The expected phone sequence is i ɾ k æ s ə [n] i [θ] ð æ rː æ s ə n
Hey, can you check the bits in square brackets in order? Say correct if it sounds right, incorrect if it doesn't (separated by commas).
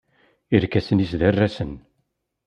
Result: correct, incorrect